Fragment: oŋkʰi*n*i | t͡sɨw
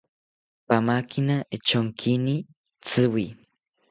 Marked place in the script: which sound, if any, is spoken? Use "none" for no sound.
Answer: n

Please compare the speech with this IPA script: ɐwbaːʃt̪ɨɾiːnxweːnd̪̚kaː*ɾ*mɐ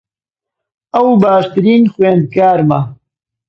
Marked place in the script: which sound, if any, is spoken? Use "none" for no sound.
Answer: ɾ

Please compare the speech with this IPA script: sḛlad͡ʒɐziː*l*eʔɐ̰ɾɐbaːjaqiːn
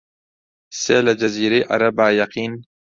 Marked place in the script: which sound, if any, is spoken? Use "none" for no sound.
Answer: ɾ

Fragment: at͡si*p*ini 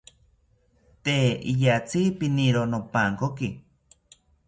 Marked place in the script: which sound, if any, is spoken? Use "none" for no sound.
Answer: p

